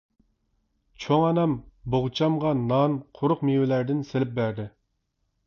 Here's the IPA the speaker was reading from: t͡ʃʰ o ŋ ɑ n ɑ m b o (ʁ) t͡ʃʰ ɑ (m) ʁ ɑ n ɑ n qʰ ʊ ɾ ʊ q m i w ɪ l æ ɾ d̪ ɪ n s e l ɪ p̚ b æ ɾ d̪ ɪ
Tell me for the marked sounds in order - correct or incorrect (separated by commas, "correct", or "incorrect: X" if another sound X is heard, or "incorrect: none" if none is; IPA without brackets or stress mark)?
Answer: correct, correct